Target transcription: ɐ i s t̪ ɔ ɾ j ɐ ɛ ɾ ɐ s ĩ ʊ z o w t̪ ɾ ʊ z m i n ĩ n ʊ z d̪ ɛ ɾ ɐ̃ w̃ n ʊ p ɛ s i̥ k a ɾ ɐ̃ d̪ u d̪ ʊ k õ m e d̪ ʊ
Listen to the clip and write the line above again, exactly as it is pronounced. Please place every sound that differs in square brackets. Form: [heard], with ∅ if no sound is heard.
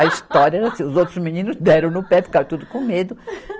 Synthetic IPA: ɐ i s t̪ ɔ ɾ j ɐ ɛ ɾ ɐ s ĩ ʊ z o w t̪ ɾ ʊ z m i n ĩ n ʊ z d̪ ɛ ɾ ɐ̃ w̃ n ʊ p ɛ [f] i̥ k a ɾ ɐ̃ [t̪] u d̪ ʊ k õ m e d̪ ʊ